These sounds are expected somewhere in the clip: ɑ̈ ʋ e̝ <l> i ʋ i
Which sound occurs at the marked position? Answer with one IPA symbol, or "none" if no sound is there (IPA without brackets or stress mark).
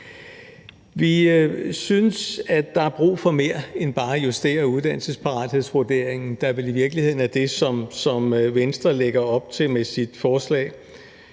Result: l